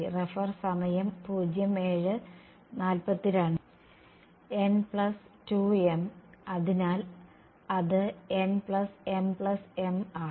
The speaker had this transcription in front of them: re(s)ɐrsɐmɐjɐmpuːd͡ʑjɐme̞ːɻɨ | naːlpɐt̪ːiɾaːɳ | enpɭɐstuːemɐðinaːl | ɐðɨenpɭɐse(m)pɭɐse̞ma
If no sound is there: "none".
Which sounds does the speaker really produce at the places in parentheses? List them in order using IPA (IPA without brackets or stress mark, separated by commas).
f, m